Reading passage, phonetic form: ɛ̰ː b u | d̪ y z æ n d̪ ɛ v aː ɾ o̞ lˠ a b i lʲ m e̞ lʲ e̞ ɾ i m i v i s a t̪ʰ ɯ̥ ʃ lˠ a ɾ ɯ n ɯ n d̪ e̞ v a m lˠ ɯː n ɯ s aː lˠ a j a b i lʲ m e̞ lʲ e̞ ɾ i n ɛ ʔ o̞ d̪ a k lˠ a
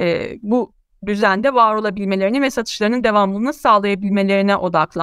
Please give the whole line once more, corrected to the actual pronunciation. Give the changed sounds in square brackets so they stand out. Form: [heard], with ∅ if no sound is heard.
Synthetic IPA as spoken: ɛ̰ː b u | d̪ y z æ n d̪ ɛ v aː ɾ o̞ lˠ a b i lʲ m e̞ lʲ e̞ ɾ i [n] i v [ɛ] s a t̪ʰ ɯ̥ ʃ lˠ a ɾ ɯ n ɯ n d̪ e̞ v a m lˠ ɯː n ɯ s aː lˠ a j a b i lʲ m e̞ lʲ e̞ ɾ i n ɛ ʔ o̞ d̪ a k lˠ a